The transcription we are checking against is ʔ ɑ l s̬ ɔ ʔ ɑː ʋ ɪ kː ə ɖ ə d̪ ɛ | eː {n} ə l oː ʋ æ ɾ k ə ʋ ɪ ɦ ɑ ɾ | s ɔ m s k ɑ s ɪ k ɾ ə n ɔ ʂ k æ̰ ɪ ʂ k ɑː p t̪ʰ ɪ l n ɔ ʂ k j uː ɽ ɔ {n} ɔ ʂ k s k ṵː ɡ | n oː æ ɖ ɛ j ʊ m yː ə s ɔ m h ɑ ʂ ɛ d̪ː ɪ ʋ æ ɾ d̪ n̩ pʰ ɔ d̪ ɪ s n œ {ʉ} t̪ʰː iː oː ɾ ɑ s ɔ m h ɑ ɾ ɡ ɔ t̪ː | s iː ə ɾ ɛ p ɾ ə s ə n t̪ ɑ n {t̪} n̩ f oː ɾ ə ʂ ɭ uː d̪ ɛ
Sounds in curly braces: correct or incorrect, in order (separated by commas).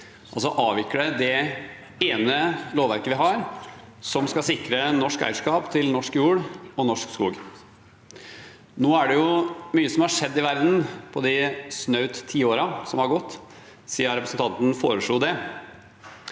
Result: correct, correct, correct, correct